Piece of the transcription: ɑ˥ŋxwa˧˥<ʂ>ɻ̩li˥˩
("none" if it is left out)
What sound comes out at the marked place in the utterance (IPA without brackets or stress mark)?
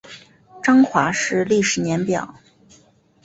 ʂ